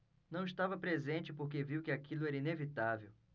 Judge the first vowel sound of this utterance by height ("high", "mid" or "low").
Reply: low